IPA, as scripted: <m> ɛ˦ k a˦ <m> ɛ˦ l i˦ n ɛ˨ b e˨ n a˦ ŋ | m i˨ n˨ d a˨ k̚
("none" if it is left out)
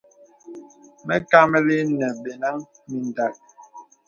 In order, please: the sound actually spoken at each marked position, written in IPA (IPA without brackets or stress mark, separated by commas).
m, m